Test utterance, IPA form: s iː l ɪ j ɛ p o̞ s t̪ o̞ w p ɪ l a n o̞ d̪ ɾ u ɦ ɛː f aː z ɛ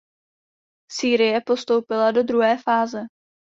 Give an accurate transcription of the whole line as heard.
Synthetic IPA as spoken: s iː ɾ ɪ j ɛ p o̞ s t̪ o̞ w p ɪ l a d o̞ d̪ ɾ u ɦ ɛː f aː z ɛ

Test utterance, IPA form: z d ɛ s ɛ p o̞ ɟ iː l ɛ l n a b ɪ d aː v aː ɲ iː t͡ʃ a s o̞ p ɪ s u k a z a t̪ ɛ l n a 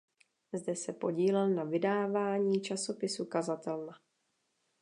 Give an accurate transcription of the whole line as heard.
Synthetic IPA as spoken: z d ɛ s ɛ p o̞ ɟ iː l ɛ l n a v ɪ d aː v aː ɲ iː t͡ʃ a s o̞ p ɪ s u k a z a t̪ ɛ l n a

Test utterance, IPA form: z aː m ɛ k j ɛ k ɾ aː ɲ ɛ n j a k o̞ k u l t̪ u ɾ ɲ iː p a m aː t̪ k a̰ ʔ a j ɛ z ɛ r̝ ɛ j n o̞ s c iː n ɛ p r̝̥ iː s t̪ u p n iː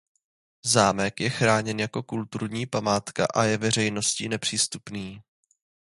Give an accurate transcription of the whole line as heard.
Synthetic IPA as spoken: z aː m ɛ k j ɛ x ɾ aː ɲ ɛ n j a k o̞ k u l t̪ u ɾ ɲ iː p a m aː t̪ k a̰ ʔ a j ɛ v ɛ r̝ ɛ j n o̞ s c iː n ɛ p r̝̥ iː s t̪ u p n iː

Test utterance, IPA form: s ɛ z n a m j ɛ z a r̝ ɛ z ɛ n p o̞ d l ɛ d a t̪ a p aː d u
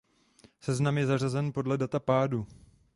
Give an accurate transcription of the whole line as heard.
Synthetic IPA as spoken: s ɛ z n a m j ɛ z a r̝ a z ɛ n p o̞ d l ɛ d a t̪ a p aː d u

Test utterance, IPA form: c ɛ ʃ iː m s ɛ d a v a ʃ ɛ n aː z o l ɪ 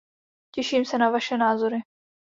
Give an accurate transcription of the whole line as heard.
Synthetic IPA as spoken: c ɛ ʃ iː m s ɛ n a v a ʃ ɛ n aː z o ɾ ɪ

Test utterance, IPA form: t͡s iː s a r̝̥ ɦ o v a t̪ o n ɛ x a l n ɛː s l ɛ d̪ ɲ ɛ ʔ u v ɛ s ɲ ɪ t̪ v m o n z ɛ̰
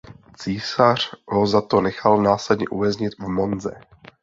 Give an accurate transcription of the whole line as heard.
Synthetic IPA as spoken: t͡s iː s a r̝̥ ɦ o z a t̪ o n ɛ x a l n aː s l ɛ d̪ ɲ ɛ ʔ u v ɛ z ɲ ɪ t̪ v m o n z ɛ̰

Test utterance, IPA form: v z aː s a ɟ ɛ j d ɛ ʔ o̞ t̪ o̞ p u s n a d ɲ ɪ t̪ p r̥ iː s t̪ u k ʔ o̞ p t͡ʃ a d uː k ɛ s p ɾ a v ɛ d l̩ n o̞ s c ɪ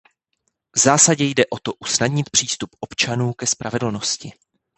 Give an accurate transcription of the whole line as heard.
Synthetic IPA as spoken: v z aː s a ɟ ɛ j d ɛ ʔ o̞ t̪ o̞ ʔ u s n a d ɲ ɪ t̪ p r̥ iː s t̪ u p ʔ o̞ p t͡ʃ a n uː k ɛ s p ɾ a v ɛ d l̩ n o̞ s c ɪ

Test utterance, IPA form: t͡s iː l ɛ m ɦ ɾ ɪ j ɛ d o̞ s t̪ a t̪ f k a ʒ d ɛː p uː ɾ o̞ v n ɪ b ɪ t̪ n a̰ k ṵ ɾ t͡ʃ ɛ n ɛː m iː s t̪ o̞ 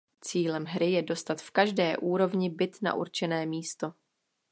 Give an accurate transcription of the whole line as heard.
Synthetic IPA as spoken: t͡s iː l ɛ m ɦ ɾ ɪ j ɛ d o̞ s t̪ a t̪ f k a ʒ d ɛː ʔ uː ɾ o̞ v ɲ ɪ b ɪ t̪ n a̰ ʔ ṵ ɾ t͡ʃ ɛ n ɛː m iː s t̪ o̞

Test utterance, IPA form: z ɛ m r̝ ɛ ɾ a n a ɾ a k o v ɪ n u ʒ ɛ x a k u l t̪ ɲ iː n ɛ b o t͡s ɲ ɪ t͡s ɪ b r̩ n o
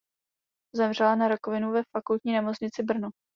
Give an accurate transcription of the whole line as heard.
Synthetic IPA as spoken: z ɛ m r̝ ɛ l a n a ɾ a k o v ɪ n u v ɛ f a k u l t̪ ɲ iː n ɛ m o t͡s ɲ ɪ t͡s ɪ b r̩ n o

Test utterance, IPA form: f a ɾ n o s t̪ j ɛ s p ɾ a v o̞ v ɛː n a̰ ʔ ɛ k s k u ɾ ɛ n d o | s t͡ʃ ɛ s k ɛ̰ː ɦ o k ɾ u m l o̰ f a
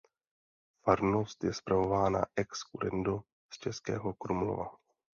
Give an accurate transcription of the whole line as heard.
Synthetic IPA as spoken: f a ɾ n o s t̪ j ɛ s p ɾ a v o̞ v aː n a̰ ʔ ɛ k s k u ɾ ɛ n d o | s t͡ʃ ɛ s k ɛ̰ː ɦ o k ɾ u m l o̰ v a

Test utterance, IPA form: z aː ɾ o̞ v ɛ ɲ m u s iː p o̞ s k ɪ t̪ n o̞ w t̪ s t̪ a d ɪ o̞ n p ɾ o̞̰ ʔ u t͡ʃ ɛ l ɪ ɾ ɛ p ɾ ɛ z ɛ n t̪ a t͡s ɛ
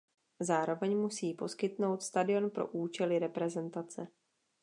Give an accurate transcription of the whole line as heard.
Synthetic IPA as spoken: z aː ɾ o̞ v ɛ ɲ m u s iː p o̞ s k ɪ t̪ n o̞ w t̪ s t̪ a d ɪ o̞ n p ɾ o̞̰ ʔ uː t͡ʃ ɛ l ɪ ɾ ɛ p ɾ ɛ z ɛ n t̪ a t͡s ɛ

